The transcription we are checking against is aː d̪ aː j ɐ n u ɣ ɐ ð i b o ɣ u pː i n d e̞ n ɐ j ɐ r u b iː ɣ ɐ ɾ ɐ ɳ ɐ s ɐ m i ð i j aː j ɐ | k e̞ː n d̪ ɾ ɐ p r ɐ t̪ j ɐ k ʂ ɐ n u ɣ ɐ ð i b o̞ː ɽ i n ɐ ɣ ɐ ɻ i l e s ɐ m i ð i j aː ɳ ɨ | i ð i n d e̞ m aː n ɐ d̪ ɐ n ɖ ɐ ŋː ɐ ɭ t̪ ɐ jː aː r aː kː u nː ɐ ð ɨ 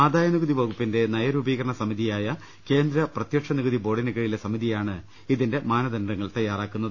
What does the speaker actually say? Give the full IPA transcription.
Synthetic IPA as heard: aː d̪ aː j ɐ n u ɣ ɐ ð i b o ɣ u pː i n d e̞ n ɐ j ɐ ɾ u b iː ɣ ɐ ɾ ɐ ɳ ɐ s ɐ m i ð i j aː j ɐ | k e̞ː n d̪ ɾ ɐ p r ɐ t̪ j ɐ k ʂ ɐ n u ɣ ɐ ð i b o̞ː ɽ i n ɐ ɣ ɐ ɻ i l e s ɐ m i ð i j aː ɳ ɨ | i ð i n d e̞ m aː n ɐ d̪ ɐ n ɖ ɐ ŋː ɐ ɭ t̪ ɐ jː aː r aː kː u nː ɐ ð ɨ